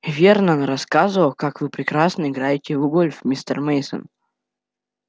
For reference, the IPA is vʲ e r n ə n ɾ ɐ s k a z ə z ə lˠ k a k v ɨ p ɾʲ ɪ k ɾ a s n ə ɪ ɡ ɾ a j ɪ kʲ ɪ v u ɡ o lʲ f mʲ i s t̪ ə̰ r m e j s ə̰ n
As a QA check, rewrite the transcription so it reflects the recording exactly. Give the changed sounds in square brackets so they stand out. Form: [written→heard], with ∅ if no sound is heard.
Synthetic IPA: vʲ e r n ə n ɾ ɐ s k a z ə [z→v] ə lˠ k a k v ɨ p ɾʲ ɪ k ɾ a s n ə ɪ ɡ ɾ a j ɪ [kʲ→tʲ] ɪ v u ɡ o lʲ f mʲ i s t̪ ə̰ r m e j s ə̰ n